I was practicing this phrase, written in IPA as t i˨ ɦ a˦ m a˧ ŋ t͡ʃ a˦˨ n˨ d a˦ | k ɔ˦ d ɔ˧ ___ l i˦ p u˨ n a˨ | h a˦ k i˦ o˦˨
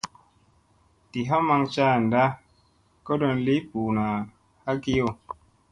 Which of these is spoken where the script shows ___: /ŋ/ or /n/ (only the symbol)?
n